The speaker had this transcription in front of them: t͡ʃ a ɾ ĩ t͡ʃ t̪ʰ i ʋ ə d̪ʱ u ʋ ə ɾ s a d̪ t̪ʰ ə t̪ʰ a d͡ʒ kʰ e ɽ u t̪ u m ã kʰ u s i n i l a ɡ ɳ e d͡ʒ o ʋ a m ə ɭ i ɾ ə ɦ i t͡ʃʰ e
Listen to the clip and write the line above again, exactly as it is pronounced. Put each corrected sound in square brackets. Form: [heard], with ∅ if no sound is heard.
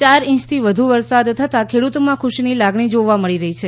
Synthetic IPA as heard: t͡ʃ a ɾ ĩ t͡ʃ t̪ʰ i ʋ ə d̪ʱ u ʋ ə ɾ s a d̪ t̪ʰ ə [t̪] a [∅] kʰ e ɽ u t̪ [o] m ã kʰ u [ʃ] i n i l a ɡ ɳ [i] d͡ʒ o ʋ a m ə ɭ i ɾ ə ɦ i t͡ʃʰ e